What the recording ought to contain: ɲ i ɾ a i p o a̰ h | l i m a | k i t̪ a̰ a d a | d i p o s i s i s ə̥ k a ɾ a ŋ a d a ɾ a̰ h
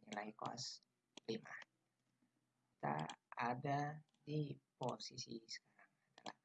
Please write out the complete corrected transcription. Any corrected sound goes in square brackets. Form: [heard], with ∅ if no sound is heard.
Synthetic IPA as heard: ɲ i [l] a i [k] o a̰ [s] | l i m a | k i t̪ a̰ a d a | d i p o s i s i s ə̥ k a ɾ a ŋ a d a [l] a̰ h